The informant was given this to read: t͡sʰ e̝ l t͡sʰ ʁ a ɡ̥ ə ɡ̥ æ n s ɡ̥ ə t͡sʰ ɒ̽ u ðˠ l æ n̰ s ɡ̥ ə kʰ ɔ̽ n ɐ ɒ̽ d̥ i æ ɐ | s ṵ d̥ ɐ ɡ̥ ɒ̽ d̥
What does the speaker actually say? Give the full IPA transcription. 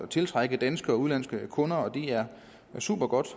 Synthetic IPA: t͡sʰ e̝ l t͡sʰ ʁ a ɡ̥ ə d̥ æ n s ɡ̥ ə ɒ̽ u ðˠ l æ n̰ s ɡ̥ ə kʰ ɔ̽ n ɐ ɒ̽ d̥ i æ ɐ | s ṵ b̥ ɐ ɡ̥ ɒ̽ d̥

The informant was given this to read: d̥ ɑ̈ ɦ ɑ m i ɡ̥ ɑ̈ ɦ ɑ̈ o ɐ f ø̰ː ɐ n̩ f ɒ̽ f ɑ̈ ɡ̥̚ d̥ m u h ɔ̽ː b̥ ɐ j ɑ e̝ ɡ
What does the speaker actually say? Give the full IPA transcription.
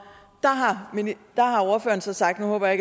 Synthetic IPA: d̥ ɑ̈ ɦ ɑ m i d̥ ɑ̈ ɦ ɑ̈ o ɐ f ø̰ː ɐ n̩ s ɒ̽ s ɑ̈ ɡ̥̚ d̥ n u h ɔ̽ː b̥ ɐ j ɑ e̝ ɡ

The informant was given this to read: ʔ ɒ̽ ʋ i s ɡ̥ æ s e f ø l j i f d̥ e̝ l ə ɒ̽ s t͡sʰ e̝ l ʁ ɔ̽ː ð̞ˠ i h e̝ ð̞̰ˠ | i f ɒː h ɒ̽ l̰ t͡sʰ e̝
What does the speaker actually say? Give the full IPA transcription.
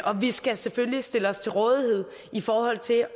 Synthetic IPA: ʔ ɒ̽ ʋ i s ɡ̥ æ s e f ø l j i s d̥ e̝ l ə ɒ̽ s t͡sʰ e̝ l ʁ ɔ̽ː ð̞ˠ i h e̝ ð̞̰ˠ | i f ɒː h ɒ̽ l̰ t͡sʰ e̝

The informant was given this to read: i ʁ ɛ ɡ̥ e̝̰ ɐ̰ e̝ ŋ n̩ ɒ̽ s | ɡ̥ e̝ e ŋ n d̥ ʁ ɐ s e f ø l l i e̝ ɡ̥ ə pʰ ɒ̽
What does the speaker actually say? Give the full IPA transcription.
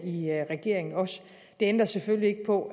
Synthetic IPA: i ʁ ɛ ɡ̥ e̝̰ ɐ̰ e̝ ŋ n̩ ɒ̽ s | d̥ e̝ e n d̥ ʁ ɐ s e f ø l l i e̝ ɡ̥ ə pʰ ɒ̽

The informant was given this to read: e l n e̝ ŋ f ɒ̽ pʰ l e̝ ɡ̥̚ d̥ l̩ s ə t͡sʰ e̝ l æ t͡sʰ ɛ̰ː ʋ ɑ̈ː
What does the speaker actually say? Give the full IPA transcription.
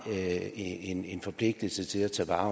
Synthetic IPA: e n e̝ n f ɒ̽ pʰ l e̝ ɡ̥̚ d̥ l̩ s ə t͡sʰ e̝ l æ t͡sʰ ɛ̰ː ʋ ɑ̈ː

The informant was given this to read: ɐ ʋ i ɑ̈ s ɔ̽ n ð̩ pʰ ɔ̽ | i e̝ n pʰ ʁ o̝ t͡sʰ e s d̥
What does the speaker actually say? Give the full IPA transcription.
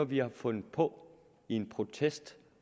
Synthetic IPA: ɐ ʋ i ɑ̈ f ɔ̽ n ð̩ pʰ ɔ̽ | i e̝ n pʰ ʁ o̝ t͡sʰ e s d̥

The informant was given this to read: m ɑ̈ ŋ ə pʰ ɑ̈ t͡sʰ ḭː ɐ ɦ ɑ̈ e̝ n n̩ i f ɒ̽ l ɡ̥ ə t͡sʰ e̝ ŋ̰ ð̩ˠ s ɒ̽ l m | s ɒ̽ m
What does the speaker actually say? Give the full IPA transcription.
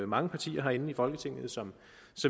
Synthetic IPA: m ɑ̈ ŋ ə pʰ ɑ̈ t͡sʰ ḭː ɐ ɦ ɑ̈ e̝ n n̩ i f ɒ̽ l ɡ̥ ə t͡sʰ e̝ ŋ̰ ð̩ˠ s ɒ̽ m | s ɒ̽ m

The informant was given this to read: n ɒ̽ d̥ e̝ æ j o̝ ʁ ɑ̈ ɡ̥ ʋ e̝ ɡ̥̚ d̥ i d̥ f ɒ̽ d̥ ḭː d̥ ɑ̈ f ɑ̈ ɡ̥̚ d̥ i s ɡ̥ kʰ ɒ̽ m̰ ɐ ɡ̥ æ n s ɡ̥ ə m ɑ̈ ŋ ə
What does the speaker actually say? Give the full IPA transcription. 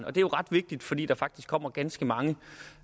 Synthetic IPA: n ɒ̽ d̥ e̝ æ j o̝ ʁ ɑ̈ d̥ ʋ e̝ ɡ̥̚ d̥ i d̥ f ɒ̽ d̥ ḭː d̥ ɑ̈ f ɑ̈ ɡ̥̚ d̥ i s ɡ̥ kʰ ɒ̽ m̰ ɐ ɡ̥ æ n s ɡ̥ ə m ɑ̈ ŋ ə

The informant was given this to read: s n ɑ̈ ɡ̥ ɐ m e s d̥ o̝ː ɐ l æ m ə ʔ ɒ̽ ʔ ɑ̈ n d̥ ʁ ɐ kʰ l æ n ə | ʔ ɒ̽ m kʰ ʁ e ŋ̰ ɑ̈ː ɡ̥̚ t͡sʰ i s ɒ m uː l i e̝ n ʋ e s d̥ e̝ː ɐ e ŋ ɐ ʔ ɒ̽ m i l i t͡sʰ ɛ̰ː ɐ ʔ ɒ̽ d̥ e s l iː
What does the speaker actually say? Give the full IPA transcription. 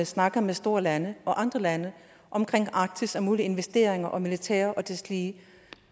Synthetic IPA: s n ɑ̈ ɡ̥ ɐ m e s d̥ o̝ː ɐ l æ n ə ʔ ɒ̽ ʔ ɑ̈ n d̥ ʁ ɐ l æ n ə | ʔ ɒ̽ m kʰ ʁ e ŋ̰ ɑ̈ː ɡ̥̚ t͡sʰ i s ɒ m uː l i e̝ n ʋ e s d̥ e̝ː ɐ e ŋ ɐ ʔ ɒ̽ m i l i t͡sʰ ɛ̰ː ɐ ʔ ɒ̽ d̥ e s l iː

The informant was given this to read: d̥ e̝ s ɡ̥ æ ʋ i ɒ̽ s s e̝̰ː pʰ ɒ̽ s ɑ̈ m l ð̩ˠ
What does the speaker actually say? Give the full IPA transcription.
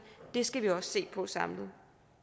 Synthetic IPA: d̥ e̝ s ɡ̥ æ ʋ i ɒ̽ s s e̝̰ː pʰ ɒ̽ s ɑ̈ m l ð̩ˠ

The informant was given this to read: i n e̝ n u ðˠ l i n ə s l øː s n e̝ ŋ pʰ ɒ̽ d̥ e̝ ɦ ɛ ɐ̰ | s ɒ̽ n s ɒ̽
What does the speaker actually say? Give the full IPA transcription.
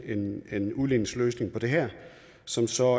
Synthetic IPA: e n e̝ n u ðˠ l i n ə s l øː s n e̝ ŋ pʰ ɒ̽ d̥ e̝ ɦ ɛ ɐ̰ | s ɒ̽ m s ɒ̽

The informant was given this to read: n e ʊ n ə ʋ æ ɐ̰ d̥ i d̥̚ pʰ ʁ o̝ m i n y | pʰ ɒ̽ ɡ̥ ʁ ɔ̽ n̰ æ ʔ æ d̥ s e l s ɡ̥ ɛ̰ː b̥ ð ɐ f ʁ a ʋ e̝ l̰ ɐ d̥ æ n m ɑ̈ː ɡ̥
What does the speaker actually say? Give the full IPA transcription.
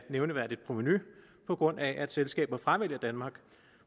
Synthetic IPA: n e ʊ n ə ʋ æ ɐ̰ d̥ i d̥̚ pʰ ʁ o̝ m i n y | pʰ ɒ̽ ɡ̥ ʁ ɔ̽ n̰ æ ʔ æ d̥ s e l s ɡ̥ ɛ̰ː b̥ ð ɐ f ʁ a ʋ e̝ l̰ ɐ d̥ æ n m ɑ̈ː ɡ̥

